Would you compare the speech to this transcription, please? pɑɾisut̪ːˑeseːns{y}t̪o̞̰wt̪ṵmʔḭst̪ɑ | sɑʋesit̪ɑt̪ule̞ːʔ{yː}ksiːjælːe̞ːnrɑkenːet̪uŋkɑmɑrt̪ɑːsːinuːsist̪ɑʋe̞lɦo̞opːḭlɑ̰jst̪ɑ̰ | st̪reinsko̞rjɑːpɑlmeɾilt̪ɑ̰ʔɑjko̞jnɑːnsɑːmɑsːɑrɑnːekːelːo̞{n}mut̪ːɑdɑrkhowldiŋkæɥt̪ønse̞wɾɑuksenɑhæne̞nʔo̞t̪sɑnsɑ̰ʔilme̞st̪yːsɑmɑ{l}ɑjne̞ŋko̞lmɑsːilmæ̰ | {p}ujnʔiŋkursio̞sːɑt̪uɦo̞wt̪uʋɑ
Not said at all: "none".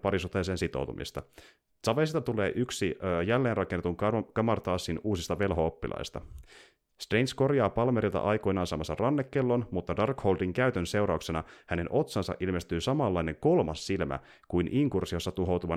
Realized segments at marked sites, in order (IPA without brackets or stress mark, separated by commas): i, y, n, lː, k